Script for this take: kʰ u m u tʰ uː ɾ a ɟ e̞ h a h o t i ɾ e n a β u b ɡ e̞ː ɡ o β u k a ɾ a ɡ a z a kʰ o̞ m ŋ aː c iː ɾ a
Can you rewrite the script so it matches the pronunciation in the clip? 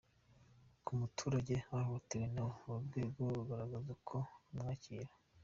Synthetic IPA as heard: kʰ u m u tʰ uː ɾ a ɟ e̞ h a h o t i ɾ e n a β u b ɡ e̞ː ɡ o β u ɡ a ɾ a ɡ a z a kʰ o̞ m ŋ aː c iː ɾ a